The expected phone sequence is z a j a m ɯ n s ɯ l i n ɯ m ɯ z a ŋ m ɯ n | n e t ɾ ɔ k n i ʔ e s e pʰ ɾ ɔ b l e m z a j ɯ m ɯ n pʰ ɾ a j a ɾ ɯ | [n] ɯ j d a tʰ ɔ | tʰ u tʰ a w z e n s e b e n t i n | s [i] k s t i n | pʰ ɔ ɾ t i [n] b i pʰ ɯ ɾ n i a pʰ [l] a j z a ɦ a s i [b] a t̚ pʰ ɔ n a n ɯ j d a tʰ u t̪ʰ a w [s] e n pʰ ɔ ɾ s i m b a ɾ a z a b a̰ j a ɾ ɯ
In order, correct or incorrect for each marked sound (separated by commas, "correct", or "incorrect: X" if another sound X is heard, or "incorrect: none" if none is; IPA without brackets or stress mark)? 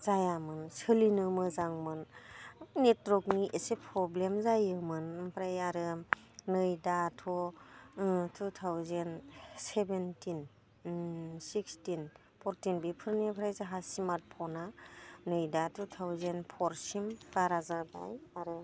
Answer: correct, correct, correct, incorrect: ɾ, incorrect: m, incorrect: z